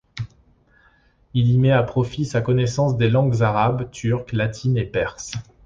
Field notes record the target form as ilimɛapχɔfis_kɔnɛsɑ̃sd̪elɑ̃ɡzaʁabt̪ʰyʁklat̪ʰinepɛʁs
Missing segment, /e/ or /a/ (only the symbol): a